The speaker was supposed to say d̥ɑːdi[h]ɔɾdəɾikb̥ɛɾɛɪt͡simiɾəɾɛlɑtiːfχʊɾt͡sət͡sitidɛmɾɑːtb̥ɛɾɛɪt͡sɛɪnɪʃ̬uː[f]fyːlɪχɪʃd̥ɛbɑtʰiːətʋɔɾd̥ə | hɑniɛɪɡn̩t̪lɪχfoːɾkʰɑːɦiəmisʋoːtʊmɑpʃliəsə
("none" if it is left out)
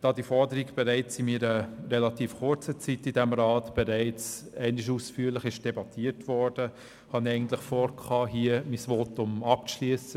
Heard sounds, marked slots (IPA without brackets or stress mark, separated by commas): f, s